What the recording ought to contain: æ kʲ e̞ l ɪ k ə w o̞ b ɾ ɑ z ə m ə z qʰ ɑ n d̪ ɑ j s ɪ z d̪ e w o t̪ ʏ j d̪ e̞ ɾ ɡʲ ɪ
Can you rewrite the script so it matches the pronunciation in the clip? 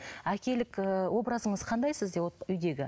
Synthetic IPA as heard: æ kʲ e̞ l ɪ k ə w o̞ b ɾ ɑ z ə ɴ ə z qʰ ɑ n d̪ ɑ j s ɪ z d̪ e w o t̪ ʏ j d̪ e̞ ɡʲ ɪ

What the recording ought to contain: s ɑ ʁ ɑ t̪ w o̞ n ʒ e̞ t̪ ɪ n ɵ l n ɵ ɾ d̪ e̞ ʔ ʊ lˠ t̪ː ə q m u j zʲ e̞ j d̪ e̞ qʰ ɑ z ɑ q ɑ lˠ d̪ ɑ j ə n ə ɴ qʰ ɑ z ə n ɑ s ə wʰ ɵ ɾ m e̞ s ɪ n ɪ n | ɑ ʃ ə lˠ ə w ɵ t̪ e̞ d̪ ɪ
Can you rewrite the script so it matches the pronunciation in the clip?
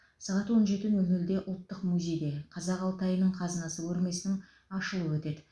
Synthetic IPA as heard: s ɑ ʁ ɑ t̪ w o̞ n ʒ e̞ t̪ ɪ n ɵ l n ɵ l d̪ e̞ ʔ ʊ lˠ t̪ː ə q m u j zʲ e̞ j d̪ e̞ qʰ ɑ z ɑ q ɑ lˠ t̪ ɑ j ə n ə ɴ qʰ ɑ z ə n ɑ s ə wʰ ɵ ɾ m e̞ s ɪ n ɪ ŋ | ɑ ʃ ə lˠ ə w ɵ t̪ e̞ d̪ ɪ

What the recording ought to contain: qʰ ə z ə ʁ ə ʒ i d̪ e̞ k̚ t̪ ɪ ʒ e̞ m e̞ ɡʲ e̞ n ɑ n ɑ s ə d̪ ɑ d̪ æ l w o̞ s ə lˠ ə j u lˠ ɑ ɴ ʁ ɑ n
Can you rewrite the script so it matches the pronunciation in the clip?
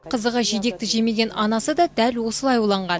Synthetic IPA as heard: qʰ ə z ə ʁ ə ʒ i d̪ e̞ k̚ t̪ ɪ ʒ e̞ m e̞ ɡʲ e̞ n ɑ n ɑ s ə d̪ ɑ d̪ æ l w o̞ s ə lˠ ɑ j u lˠ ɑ ɴ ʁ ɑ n

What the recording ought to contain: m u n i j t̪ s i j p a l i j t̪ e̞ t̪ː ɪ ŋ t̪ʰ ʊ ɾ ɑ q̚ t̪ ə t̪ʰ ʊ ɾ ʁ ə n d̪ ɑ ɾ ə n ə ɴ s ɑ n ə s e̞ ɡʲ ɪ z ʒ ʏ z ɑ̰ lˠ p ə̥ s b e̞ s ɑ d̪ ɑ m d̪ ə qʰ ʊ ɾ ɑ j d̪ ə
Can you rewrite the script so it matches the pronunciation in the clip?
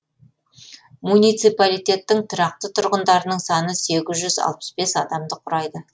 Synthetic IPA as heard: m u n i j t̪ s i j p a l i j t̪ e̞ t̪ː ɪ ŋ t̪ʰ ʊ ɾ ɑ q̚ t̪ ə t̪ʰ ʊ ɾ ʁ ə n d̪ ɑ ɾ ə n ə ɴ s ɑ n ə s e̞ ɡʲ ɪ z ʒ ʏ z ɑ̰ lˠ p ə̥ s b e̞ s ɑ d̪ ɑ m d̪ ə qʰ ʊ ɾ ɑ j d̪ ə

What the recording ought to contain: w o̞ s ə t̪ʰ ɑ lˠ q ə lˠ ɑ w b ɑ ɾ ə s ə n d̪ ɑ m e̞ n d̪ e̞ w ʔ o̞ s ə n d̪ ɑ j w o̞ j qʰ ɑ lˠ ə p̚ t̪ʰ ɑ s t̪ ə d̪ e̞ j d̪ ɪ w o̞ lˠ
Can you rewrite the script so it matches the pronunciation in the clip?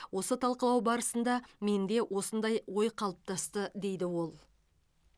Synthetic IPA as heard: w o̞ s ə t̪ʰ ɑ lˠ q ə lˠ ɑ w b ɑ ɾ ə s ə n d̪ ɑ m e̞ n d̪ e̞ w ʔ o̞ s ə n d̪ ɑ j w o̞ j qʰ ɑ lˠ ə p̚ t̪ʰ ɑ s t̪ ə d̪ e̞ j d̪ ɪ w o̞ lˠ

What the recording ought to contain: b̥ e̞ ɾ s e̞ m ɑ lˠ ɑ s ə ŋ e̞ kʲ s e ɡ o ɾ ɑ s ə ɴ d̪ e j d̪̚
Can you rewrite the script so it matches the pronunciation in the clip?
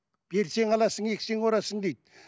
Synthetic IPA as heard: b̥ e̞ ɾ s e̞ ŋ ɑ lˠ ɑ s ə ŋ e̞ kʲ s e ŋ o ɾ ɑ s ə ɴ d̪ e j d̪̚

